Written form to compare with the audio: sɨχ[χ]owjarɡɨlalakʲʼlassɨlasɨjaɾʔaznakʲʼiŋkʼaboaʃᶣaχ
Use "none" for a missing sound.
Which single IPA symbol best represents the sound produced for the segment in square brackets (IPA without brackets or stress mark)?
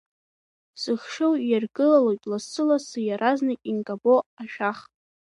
ʂ